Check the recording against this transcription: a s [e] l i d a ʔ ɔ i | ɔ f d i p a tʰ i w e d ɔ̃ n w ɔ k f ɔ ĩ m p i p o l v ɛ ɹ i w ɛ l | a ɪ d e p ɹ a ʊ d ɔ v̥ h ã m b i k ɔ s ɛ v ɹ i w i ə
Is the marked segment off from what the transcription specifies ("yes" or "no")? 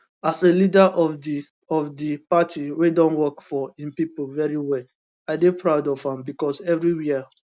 no